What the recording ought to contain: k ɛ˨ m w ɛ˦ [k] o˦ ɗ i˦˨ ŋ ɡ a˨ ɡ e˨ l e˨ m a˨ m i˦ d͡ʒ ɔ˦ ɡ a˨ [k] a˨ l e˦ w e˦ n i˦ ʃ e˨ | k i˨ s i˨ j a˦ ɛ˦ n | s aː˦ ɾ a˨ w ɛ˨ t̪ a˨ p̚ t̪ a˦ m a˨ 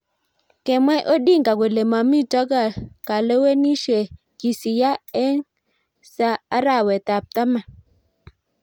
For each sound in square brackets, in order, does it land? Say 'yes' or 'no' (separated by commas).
no, yes